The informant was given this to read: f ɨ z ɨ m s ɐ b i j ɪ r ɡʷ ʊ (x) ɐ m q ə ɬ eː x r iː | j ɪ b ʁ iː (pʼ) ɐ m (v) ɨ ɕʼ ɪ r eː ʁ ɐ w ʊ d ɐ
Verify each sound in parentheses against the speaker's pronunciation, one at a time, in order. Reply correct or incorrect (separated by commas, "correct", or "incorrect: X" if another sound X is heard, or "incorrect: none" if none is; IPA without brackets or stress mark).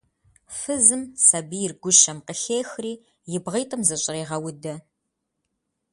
incorrect: ʃ, incorrect: tʼ, incorrect: z